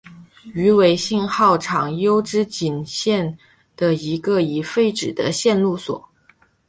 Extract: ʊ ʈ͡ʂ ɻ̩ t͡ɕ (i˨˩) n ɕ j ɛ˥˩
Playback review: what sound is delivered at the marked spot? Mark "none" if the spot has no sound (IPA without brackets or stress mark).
i˨˩